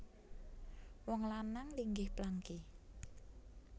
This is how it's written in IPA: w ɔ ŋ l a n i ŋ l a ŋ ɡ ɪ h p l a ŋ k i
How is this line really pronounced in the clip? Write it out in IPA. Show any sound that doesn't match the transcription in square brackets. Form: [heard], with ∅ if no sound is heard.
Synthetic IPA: w ɔ ŋ l a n [a] ŋ l [i] ŋ ɡ ɪ h p l a ŋ k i

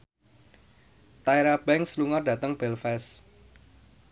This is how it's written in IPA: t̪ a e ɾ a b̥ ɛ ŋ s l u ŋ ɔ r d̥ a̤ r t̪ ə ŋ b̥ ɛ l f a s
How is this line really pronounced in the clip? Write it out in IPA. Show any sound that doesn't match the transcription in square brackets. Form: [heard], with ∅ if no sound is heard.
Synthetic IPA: t̪ a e ɾ a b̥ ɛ ŋ s l u ŋ ɔ r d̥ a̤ [∅] t̪ ə ŋ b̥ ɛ l f [ɛ] s

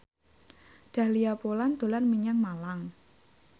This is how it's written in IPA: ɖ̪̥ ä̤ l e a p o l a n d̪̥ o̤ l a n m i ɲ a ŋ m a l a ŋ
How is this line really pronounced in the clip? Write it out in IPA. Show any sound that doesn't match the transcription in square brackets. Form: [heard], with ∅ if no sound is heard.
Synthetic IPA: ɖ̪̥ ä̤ l [i] a p o l a n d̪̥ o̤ l a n m i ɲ a ŋ m a l a ŋ

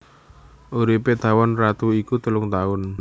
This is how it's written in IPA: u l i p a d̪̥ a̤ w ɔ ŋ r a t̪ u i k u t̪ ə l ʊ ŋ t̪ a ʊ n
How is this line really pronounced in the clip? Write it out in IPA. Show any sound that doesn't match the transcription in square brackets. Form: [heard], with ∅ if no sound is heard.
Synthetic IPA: u [ɾ] i p [e] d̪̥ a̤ w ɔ [n] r a t̪ u i k u t̪ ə l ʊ ŋ t̪ a ʊ n

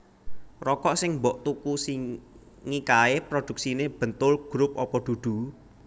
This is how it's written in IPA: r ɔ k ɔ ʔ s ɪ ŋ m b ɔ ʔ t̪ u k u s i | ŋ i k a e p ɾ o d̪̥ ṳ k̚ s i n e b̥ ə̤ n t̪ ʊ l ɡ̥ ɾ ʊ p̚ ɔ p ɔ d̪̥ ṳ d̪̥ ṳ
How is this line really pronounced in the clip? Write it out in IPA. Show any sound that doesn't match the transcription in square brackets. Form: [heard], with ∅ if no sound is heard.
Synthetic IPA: r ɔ k ɔ ʔ s ɪ ŋ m b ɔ ʔ t̪ u k u s i | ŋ i k a e p ɾ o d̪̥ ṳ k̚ s i n e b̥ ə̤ n t̪ ʊ l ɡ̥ ɾ ʊ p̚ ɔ p ɔ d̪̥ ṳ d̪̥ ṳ

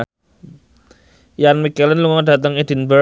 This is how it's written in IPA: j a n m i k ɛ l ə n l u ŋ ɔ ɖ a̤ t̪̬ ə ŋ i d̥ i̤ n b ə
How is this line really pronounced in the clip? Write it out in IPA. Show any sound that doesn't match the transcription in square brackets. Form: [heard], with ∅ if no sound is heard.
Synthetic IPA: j a n m i k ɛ l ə n l u ŋ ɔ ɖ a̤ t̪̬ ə ŋ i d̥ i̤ n b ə

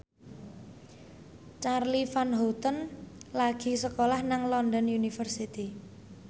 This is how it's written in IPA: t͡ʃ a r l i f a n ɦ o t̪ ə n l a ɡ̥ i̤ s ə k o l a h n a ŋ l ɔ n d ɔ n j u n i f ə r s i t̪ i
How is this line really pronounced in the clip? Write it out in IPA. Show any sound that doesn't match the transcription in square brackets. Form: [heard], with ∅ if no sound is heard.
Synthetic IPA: t͡ʃ a r l i f a n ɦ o t̪ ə n l a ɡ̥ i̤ s ə k o l a h n a ŋ l ɔ n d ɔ n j u n i f ə r s i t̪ i

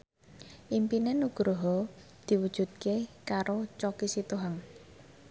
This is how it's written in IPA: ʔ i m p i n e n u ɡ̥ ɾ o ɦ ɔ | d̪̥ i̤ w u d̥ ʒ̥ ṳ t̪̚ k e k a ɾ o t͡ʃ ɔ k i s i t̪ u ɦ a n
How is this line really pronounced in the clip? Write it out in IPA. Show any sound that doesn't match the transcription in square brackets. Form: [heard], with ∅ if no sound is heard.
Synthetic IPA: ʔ i m p i n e n u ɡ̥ ɾ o ɦ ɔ | d̪̥ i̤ w u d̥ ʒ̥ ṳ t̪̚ k e k a ɾ o t͡ʃ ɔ k i s i t̪ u ɦ a [ŋ]

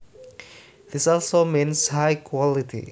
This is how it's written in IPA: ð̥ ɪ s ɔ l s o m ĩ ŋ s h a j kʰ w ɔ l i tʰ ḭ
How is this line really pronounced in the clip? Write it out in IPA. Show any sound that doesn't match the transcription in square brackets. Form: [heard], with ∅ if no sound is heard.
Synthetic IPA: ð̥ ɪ s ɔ l s o m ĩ [n] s h a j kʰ w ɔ l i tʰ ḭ

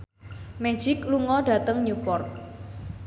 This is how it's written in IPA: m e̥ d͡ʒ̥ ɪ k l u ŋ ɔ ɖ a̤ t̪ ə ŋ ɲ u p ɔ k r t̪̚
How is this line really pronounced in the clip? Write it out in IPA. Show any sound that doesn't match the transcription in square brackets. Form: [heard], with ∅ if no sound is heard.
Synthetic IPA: m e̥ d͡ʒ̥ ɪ k l u ŋ ɔ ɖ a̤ t̪ ə ŋ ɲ u p ɔ [∅] r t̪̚

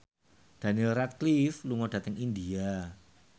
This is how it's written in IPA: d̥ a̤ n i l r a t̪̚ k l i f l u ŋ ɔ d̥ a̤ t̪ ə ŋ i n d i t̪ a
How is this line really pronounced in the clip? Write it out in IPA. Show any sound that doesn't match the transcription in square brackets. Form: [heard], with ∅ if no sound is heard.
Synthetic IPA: d̥ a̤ n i l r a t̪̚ k l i f l u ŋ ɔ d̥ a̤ t̪ ə ŋ i n d i [∅] a

